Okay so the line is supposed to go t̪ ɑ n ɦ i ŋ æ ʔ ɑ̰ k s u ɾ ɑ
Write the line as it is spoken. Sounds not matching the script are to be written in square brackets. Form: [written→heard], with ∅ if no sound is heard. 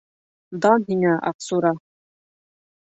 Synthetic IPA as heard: [t̪→d̪] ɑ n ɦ i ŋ æ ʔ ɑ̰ [k→q] s u ɾ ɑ